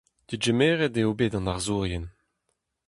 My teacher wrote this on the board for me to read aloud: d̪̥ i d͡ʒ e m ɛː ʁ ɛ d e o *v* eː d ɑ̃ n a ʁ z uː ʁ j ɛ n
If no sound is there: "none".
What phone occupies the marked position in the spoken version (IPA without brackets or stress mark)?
b